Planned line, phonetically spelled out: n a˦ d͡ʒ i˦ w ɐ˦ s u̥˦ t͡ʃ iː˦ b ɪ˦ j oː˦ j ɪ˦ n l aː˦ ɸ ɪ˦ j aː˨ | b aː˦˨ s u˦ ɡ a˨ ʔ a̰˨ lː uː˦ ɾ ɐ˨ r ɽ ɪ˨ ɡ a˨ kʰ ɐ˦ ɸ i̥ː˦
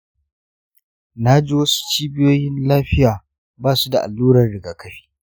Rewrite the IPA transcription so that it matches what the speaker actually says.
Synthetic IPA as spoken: n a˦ d͡ʒ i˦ w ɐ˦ s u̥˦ t͡ʃ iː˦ b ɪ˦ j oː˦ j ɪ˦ n l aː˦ ɸ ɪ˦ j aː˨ | b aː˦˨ s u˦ d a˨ ʔ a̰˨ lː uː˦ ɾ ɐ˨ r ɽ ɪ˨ ɡ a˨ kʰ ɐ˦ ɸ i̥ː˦